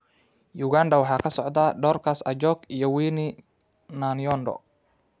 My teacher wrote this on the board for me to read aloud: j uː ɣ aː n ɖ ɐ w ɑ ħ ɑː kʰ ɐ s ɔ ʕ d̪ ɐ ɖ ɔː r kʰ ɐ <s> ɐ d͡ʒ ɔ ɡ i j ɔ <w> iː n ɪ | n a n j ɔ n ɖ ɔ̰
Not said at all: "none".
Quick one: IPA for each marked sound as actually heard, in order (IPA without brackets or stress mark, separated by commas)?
s, w